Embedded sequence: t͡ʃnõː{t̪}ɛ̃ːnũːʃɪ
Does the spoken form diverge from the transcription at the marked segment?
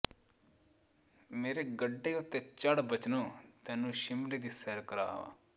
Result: no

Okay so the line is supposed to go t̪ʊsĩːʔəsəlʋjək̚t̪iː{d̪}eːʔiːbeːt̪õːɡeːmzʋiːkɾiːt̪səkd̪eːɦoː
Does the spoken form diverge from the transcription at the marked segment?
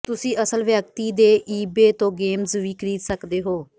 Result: no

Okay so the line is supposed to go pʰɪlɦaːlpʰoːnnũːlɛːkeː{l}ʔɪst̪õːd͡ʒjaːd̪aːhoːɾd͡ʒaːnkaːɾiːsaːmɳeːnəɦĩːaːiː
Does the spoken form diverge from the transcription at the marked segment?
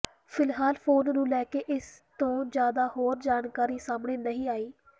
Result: yes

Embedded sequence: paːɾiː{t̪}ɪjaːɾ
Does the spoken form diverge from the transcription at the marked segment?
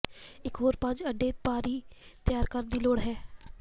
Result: no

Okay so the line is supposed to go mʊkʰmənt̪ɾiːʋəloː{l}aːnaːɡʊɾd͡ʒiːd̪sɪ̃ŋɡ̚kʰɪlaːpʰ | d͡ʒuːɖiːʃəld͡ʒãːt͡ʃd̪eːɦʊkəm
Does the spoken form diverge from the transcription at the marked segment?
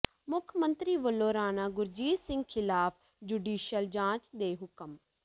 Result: yes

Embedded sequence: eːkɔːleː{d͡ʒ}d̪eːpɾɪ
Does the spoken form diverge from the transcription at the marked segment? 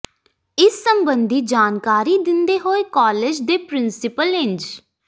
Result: no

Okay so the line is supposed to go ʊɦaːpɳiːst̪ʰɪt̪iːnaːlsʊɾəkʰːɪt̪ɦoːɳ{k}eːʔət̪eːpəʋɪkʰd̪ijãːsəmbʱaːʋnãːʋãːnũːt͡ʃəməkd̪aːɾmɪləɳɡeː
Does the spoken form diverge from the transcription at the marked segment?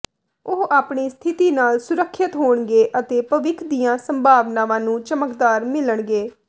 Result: yes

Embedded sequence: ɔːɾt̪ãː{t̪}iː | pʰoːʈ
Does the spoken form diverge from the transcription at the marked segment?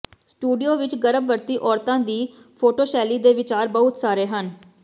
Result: yes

